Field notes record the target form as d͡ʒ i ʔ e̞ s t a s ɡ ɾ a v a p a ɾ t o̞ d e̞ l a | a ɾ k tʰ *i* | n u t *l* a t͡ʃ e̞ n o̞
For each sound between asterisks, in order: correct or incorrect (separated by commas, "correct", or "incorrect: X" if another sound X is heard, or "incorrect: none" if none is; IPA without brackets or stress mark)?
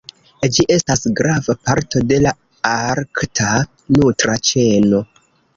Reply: incorrect: a, incorrect: ɾ